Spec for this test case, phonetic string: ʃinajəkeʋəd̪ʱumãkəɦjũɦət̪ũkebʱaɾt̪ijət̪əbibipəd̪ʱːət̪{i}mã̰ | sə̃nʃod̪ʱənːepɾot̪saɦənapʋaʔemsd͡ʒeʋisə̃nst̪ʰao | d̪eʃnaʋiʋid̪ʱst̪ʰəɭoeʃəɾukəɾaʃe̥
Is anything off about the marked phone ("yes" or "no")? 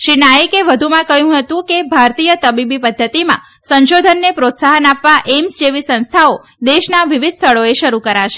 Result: no